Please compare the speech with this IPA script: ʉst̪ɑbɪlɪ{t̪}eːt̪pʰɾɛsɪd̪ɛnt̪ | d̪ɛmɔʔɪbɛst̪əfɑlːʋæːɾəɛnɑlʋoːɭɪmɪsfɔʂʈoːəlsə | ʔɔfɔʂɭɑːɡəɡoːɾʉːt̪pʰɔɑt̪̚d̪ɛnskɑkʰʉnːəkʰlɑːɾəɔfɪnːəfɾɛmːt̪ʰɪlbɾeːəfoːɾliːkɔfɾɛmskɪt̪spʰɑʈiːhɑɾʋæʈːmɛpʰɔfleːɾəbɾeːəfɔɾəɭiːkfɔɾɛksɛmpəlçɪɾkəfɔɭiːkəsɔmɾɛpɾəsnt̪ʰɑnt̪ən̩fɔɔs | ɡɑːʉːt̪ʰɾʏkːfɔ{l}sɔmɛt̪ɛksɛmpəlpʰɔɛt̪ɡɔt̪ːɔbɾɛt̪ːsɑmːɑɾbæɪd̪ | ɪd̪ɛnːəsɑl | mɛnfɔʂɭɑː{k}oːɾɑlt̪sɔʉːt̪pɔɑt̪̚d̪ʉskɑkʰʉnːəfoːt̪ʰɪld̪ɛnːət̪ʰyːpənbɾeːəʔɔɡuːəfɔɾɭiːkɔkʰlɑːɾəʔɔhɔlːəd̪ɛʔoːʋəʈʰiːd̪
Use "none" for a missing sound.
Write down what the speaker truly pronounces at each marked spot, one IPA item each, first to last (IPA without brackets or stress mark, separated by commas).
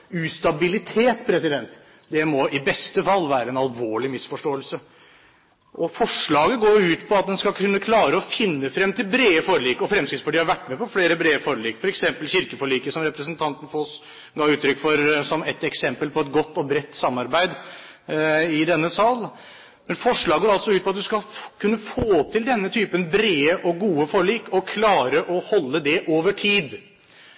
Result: t̪ʰ, ɾ, ɡ